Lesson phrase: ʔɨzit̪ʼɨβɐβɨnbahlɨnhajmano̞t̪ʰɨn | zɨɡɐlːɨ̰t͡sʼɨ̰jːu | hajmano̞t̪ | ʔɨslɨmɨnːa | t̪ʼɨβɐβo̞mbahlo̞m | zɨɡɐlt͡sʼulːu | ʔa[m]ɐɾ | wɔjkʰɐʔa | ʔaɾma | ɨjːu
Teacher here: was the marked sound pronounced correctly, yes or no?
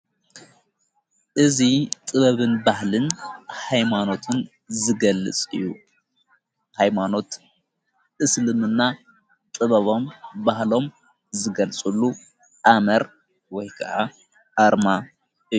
yes